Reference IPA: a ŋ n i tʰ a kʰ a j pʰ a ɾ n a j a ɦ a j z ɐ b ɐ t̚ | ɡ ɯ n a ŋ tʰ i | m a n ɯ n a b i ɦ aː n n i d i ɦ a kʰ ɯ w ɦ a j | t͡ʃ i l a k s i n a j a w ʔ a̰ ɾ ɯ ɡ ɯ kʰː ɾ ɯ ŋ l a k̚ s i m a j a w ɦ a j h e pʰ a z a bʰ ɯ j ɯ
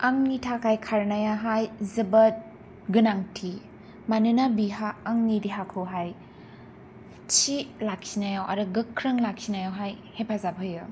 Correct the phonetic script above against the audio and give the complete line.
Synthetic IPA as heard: a ŋ n i tʰ a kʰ a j kʰ a ɾ n a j a ɦ a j z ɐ b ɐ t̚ | ɡ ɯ n a ŋ tʰ i | m a n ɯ n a b i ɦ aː ŋ n i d i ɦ a kʰ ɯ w ɦ a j | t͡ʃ i l a k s i n a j a w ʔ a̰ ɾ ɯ ɡ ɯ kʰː ɾ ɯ ŋ l a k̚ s i n a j a w ɦ a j h e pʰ a z a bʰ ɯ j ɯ